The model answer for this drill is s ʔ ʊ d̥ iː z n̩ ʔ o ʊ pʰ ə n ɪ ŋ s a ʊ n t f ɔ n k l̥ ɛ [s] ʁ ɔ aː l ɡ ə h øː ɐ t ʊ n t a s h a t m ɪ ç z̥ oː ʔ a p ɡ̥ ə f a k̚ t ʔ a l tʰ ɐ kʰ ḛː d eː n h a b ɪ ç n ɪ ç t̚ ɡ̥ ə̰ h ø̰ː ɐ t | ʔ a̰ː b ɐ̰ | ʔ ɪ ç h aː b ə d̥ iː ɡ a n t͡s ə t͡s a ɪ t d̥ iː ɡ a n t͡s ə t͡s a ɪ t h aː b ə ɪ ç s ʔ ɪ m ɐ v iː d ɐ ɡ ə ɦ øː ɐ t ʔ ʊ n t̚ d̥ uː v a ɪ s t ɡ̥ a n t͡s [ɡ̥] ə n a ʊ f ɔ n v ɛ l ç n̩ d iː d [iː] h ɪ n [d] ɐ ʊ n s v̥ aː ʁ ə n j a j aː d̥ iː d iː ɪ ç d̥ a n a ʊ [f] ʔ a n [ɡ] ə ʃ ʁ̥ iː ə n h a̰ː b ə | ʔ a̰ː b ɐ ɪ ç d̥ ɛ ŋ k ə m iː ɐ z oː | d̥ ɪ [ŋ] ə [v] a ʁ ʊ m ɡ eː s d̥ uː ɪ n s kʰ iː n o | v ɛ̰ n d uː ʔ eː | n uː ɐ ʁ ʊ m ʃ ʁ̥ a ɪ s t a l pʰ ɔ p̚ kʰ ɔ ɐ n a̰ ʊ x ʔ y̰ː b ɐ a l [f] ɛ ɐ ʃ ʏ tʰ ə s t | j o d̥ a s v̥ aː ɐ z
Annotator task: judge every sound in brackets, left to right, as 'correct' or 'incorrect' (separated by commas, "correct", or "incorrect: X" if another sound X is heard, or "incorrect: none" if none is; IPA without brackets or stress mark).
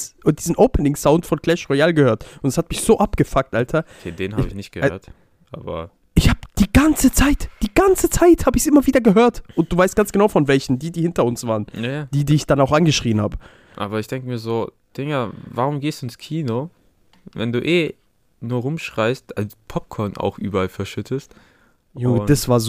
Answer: incorrect: ʃ, correct, correct, incorrect: t, incorrect: x, correct, correct, correct, correct